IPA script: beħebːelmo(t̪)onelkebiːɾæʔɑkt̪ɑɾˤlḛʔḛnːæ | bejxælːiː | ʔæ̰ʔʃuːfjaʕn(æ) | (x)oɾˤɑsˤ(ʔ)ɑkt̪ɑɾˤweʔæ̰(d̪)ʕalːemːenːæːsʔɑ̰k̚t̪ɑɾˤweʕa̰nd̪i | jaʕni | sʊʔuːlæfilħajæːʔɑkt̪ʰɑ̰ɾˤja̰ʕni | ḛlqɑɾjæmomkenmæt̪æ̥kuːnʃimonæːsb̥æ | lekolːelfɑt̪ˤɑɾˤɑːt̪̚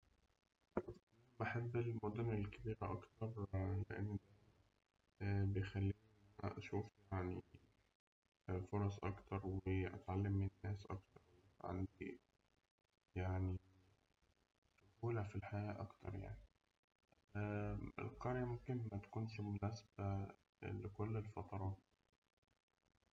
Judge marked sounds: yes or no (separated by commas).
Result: no, no, no, yes, no